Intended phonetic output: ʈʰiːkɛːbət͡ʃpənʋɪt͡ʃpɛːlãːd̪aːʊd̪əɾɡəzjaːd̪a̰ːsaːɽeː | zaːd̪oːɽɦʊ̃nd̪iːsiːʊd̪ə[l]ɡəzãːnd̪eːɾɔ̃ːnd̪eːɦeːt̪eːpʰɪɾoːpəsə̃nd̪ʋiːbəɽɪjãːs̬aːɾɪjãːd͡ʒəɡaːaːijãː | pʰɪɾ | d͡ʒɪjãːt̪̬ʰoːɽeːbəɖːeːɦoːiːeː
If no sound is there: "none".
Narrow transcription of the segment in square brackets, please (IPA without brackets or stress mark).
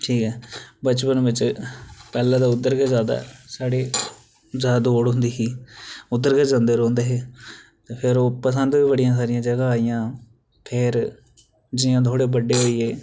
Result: ɾ